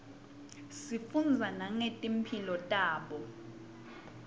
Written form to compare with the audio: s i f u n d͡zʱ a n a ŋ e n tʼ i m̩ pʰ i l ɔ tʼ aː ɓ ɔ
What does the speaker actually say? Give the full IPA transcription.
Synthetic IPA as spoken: s i f u n d͡zʱ a n a ŋ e tʼ i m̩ pʰ i l ɔ tʼ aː ɓ ɔ